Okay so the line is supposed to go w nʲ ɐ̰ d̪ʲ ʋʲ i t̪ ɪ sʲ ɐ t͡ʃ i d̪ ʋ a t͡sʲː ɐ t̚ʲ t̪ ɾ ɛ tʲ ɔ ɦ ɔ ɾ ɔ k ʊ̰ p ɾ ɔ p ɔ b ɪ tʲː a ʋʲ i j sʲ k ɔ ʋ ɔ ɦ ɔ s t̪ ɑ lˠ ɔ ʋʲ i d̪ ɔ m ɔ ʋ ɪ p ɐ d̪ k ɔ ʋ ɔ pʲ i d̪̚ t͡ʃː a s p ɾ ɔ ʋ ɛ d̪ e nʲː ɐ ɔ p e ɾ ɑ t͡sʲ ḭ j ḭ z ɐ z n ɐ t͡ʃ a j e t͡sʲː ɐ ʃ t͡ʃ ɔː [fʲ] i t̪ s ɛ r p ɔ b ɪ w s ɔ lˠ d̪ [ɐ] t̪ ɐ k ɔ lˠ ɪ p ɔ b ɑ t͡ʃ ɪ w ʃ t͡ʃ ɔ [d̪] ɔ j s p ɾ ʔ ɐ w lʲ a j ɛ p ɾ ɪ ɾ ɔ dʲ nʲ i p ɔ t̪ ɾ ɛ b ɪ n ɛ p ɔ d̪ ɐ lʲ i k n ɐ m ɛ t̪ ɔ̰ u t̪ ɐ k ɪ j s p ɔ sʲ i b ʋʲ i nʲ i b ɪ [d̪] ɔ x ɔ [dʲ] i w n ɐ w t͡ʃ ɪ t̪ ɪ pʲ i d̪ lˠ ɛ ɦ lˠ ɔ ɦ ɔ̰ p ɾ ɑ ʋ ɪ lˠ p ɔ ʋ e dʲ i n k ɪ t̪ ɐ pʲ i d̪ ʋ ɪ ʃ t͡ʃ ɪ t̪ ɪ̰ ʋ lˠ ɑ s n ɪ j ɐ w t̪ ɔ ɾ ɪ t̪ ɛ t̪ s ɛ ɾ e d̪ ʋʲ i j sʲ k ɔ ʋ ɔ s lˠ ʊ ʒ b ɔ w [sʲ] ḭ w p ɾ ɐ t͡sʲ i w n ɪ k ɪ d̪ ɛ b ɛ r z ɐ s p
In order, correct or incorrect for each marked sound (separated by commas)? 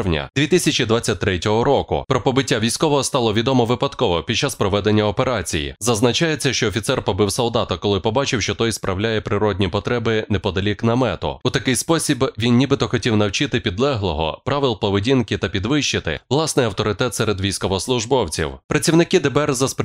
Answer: correct, incorrect, incorrect, incorrect, incorrect, incorrect